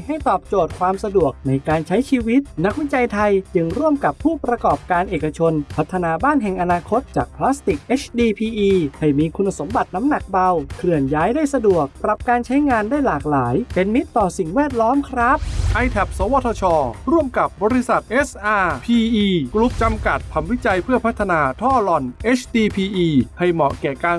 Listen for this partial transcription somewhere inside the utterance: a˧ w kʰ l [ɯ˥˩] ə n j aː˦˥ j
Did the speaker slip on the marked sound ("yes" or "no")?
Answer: yes